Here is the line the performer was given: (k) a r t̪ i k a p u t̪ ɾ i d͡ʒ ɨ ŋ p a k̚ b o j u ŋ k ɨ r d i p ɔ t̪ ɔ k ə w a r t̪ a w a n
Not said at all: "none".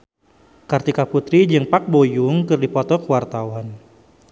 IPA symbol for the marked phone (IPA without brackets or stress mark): k